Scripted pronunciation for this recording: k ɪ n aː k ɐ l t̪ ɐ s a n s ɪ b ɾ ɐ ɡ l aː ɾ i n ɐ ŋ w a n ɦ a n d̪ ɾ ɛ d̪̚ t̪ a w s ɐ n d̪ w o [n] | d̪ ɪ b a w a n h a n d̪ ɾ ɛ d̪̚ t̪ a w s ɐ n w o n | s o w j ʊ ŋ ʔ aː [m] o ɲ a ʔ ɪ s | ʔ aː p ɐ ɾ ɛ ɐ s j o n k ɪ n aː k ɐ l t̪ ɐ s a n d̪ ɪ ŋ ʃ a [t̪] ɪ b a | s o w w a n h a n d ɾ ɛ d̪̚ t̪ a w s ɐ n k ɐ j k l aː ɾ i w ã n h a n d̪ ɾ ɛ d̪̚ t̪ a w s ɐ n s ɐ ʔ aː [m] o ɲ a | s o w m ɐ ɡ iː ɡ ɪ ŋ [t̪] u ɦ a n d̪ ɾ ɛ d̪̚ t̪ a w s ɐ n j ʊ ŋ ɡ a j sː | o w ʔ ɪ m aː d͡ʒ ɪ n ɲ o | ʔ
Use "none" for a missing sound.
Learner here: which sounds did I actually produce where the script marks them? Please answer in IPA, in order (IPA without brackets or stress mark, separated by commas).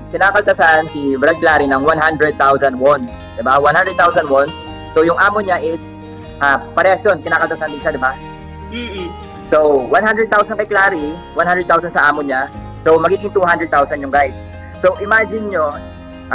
n, m, d̪, m, t̪